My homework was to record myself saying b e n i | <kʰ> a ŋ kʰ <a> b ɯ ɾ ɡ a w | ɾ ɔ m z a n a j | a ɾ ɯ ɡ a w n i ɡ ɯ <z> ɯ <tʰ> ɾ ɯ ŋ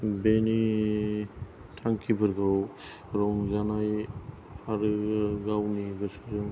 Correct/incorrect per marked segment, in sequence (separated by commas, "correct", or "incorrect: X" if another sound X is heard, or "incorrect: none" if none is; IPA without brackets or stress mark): incorrect: tʰ, incorrect: i, incorrect: s, incorrect: none